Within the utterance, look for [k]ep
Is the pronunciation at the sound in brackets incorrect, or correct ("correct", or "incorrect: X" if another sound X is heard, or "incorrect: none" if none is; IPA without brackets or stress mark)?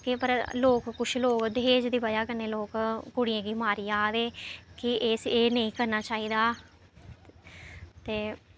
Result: correct